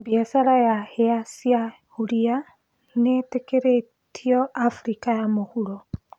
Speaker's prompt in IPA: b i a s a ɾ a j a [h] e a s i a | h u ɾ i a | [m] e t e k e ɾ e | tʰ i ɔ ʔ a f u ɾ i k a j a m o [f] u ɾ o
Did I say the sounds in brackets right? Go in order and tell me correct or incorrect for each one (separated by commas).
correct, incorrect, incorrect